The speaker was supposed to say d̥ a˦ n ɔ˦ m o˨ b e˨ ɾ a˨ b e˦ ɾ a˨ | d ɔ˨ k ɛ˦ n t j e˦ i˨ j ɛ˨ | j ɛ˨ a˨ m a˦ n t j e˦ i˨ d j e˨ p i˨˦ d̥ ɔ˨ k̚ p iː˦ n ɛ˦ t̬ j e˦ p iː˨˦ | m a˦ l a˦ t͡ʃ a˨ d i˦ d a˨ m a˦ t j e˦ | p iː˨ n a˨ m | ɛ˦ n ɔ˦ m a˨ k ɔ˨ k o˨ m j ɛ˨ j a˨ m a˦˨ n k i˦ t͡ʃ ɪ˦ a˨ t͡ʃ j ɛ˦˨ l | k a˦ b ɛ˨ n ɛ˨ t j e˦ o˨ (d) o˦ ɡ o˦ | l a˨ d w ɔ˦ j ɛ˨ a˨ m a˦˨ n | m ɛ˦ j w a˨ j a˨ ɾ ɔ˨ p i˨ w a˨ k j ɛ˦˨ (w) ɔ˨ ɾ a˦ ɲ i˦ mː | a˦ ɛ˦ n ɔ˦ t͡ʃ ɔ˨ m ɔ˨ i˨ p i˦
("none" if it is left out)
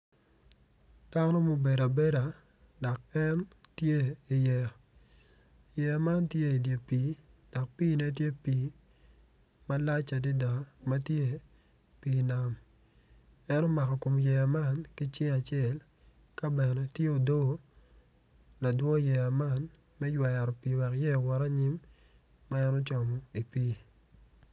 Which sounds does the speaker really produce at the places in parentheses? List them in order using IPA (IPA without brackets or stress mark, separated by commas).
d, w